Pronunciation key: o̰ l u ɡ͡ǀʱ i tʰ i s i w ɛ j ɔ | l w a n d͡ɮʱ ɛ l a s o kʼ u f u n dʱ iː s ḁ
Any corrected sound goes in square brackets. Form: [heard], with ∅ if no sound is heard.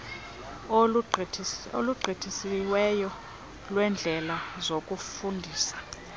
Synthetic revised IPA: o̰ l u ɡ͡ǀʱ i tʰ i s i w ɛ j ɔ | l w [ɛ] n d͡ɮʱ ɛ l a [z] o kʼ u f u n dʱ iː s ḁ